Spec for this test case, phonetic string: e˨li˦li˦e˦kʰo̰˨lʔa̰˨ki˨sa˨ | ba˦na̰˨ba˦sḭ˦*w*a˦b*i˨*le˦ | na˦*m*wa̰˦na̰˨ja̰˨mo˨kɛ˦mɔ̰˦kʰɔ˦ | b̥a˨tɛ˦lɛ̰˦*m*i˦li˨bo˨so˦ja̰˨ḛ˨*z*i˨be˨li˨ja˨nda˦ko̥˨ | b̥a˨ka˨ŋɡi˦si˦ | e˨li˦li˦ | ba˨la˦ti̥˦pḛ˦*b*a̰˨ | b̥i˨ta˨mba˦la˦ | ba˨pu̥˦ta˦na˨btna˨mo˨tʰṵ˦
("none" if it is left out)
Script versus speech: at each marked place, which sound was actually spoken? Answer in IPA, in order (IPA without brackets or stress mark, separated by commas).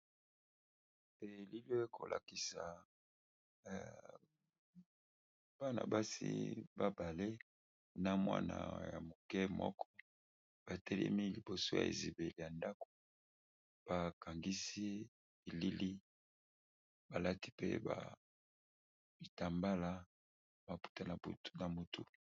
b, a˨, m, m, z, b